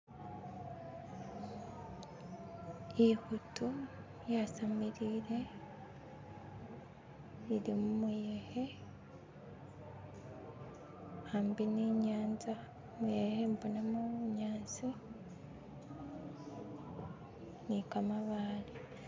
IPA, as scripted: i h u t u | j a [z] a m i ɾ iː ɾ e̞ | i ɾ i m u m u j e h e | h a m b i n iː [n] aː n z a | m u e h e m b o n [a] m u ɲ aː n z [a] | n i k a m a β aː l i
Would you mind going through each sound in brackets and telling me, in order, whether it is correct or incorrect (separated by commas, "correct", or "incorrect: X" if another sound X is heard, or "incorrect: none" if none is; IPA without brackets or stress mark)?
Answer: incorrect: s, incorrect: ɲ, correct, incorrect: i